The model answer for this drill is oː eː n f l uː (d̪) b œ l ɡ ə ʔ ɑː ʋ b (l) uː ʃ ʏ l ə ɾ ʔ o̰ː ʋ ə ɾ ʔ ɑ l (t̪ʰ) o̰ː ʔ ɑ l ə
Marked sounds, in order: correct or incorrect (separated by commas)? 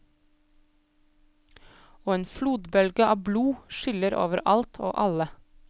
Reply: correct, correct, correct